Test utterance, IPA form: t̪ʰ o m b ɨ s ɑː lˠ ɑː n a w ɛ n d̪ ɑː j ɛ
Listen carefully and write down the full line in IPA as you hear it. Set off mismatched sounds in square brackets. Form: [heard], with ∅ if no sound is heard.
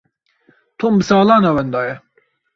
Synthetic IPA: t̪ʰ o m b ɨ s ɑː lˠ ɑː n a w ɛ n d̪ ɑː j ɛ